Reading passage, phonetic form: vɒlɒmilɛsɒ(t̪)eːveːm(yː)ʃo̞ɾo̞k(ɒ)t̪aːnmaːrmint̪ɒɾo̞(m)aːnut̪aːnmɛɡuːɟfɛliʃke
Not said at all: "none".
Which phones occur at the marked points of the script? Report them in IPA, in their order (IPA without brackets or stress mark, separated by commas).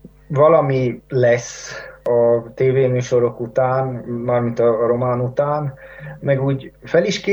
t̪, yː, u, m